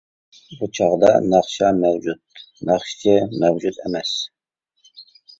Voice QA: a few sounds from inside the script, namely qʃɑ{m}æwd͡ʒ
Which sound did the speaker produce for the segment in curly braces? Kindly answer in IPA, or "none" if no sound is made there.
m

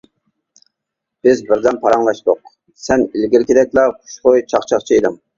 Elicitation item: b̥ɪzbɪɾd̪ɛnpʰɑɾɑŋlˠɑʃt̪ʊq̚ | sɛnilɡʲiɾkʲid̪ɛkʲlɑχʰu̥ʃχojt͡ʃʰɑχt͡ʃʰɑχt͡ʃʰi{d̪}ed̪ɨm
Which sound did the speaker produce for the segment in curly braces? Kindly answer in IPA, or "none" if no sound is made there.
none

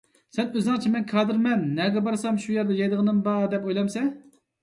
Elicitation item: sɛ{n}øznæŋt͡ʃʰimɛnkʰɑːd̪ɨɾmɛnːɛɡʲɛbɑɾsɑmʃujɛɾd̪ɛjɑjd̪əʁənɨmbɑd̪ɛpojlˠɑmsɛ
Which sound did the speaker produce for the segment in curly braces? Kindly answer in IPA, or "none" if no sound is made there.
n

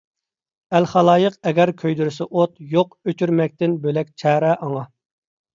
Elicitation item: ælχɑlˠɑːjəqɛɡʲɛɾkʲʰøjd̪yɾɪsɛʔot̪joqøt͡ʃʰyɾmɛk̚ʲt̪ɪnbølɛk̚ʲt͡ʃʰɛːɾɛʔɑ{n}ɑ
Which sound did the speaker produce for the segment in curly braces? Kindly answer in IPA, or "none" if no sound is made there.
ŋ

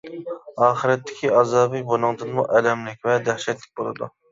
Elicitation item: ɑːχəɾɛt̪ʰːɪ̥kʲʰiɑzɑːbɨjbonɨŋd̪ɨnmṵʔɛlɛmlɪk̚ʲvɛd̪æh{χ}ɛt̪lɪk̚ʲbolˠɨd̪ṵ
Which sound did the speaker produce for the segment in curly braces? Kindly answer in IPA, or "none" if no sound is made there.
ʃ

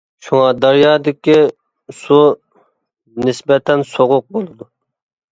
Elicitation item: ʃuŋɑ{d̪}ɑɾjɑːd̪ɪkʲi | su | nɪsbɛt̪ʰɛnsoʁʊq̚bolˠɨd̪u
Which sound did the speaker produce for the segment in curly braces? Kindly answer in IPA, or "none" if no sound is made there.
d̪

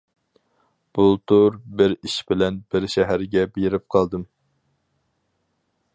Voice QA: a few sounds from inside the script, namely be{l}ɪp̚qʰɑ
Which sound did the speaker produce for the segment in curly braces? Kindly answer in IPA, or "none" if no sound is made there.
ɾ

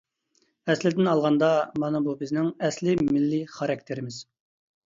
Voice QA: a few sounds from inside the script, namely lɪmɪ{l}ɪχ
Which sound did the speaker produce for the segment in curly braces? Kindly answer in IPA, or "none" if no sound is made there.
lː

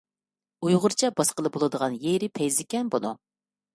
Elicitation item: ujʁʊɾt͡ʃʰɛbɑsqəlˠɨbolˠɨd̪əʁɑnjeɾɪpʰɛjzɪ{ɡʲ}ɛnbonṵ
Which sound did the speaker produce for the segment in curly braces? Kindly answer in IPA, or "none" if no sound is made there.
kʲ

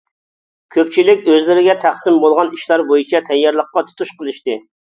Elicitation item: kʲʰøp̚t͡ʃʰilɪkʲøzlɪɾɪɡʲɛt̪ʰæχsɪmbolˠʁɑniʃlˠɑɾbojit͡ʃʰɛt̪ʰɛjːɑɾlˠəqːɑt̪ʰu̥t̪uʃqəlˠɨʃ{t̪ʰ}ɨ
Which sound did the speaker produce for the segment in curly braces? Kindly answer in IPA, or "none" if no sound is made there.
t̪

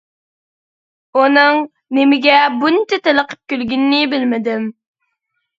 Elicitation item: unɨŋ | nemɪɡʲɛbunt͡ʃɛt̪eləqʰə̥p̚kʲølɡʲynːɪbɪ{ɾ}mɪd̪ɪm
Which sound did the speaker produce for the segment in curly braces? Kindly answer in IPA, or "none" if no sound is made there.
l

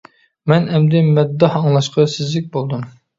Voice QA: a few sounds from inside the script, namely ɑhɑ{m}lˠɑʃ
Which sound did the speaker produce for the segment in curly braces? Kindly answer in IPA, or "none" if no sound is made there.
ŋ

